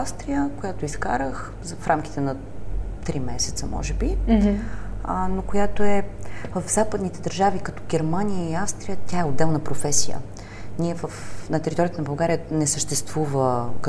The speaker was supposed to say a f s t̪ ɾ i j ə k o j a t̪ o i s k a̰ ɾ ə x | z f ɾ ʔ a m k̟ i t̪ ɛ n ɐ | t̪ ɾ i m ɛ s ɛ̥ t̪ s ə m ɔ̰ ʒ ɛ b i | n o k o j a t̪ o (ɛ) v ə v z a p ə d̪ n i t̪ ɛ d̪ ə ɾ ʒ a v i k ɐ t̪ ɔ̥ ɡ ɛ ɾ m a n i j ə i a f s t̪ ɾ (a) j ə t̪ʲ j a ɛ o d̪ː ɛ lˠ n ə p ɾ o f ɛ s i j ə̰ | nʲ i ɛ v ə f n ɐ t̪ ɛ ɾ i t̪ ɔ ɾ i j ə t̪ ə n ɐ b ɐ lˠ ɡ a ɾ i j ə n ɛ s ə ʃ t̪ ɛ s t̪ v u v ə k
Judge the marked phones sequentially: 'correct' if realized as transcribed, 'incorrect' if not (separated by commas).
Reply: correct, incorrect